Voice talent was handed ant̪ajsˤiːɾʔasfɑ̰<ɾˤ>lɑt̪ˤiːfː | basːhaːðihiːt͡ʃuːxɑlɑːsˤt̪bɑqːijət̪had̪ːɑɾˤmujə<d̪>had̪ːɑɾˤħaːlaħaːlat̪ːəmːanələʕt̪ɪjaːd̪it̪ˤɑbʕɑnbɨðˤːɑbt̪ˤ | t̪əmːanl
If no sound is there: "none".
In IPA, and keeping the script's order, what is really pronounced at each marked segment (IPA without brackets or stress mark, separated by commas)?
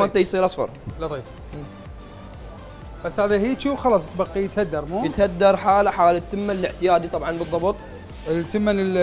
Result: ɾˤ, t̪